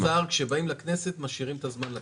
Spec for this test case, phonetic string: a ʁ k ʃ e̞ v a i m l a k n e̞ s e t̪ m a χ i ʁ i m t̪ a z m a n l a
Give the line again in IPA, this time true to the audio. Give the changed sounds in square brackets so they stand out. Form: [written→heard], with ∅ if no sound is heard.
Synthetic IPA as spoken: a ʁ k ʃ e̞ [v→b] a i m l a k n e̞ s e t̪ m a [χ→ʃ] i ʁ i m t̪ a z m a n l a